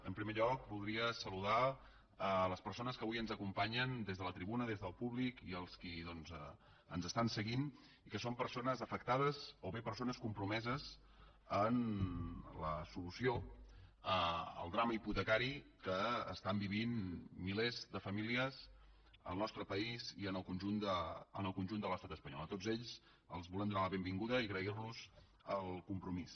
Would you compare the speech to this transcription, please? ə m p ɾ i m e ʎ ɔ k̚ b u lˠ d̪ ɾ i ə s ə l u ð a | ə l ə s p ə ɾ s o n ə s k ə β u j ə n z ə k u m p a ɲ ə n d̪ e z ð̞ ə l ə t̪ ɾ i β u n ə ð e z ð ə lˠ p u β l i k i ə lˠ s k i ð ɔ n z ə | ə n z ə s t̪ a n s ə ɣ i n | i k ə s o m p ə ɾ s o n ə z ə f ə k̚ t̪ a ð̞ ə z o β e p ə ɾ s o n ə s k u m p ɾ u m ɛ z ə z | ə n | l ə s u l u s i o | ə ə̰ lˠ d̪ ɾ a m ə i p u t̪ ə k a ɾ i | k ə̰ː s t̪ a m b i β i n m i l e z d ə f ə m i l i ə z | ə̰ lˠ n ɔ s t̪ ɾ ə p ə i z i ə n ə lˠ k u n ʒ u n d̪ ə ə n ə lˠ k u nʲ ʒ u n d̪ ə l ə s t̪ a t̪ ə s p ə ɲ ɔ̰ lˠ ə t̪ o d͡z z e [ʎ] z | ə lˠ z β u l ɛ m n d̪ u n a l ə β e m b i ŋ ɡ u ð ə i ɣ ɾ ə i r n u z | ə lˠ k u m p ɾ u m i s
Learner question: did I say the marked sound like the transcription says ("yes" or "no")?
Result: yes